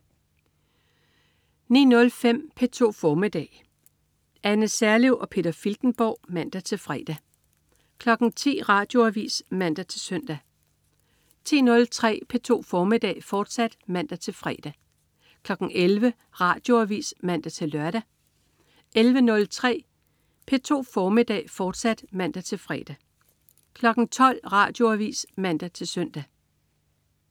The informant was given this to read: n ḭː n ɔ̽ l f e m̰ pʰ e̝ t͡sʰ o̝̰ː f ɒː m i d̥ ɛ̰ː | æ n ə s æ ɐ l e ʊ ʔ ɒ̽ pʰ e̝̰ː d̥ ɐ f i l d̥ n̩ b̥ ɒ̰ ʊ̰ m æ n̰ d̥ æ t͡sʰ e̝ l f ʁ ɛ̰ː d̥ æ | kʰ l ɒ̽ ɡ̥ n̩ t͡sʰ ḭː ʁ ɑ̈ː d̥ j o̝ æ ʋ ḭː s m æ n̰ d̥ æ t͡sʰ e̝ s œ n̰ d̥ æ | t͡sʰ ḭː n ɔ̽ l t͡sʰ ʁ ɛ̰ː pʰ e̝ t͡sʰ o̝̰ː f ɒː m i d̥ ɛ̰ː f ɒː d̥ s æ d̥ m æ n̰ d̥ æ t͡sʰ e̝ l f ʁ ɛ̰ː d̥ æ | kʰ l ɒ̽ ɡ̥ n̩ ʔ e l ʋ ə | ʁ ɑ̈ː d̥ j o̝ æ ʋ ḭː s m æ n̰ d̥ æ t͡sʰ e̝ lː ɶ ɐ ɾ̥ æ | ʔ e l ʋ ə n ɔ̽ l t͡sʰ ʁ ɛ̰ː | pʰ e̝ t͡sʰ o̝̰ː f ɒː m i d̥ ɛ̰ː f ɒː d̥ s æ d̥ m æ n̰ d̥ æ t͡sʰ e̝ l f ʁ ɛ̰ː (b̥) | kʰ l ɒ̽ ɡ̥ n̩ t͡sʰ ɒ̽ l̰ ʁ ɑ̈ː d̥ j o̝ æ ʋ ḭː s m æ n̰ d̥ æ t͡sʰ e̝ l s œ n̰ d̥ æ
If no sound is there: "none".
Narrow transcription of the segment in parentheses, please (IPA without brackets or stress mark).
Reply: d̥